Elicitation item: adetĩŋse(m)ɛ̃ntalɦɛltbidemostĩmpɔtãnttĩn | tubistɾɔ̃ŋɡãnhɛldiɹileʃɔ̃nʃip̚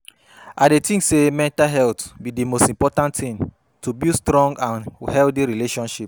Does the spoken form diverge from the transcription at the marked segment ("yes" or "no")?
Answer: no